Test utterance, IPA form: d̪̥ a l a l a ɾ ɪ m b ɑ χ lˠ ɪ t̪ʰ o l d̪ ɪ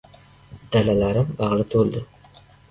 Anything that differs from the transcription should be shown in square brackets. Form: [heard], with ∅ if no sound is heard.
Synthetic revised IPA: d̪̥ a l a l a ɾ ɪ m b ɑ [ʁ] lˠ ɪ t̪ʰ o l d̪ ɪ